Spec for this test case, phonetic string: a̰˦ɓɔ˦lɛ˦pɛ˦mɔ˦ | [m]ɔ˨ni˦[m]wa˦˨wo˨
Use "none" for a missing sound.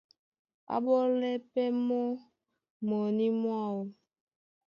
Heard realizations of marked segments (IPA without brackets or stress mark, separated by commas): m, m